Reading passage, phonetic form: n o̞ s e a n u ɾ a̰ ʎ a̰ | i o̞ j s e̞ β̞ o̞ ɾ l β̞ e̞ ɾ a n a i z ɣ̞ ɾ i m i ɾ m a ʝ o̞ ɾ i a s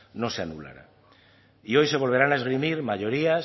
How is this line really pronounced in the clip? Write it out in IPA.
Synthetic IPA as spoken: n o̞ s e a n u l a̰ ɾ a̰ | i o̞ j s e̞ β̞ o̞ l β̞ e̞ ɾ a n a e z ɣ̞ ɾ i m i ɾ m a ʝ o̞ ɾ i a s